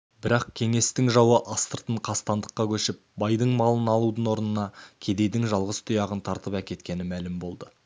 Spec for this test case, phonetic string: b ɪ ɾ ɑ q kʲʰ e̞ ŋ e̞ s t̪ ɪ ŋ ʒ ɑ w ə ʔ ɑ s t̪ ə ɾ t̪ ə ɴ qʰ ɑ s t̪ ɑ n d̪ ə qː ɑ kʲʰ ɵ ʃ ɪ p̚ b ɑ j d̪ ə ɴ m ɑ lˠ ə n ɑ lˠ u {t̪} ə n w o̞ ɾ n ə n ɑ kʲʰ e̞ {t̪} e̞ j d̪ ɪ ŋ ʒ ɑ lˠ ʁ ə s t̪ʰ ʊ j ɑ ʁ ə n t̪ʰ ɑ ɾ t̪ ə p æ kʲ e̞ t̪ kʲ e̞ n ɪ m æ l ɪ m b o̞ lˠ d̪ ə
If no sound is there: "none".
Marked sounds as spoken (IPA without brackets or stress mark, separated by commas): d̪, d̪